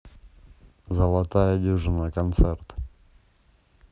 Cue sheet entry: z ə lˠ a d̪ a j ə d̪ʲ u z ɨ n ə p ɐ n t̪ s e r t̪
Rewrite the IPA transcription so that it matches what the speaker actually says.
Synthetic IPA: z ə lˠ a t̪ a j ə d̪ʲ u ʐ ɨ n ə k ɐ n t̪ s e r t̪